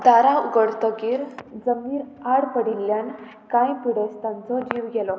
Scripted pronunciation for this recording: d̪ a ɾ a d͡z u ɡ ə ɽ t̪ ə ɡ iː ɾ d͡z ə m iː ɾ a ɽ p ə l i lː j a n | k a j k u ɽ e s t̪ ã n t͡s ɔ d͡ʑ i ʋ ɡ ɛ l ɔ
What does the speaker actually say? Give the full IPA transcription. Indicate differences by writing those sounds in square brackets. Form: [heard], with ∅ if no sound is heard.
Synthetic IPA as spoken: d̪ a ɾ a [∅] u ɡ ə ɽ t̪ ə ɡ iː ɾ d͡z ə m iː ɾ a ɽ p ə [ɽ] i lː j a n | k a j [p] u ɽ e s t̪ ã n t͡s ɔ d͡ʑ i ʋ ɡ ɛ l ɔ